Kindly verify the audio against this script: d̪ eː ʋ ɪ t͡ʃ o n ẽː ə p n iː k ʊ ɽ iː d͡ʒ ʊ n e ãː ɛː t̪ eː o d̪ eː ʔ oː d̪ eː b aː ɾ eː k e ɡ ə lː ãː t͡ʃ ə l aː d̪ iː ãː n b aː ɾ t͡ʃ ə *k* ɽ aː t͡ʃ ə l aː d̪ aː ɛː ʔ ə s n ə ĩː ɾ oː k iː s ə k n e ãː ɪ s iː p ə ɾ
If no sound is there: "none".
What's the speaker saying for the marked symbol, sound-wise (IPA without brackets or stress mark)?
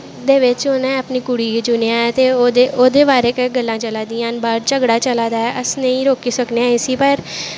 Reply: ɡ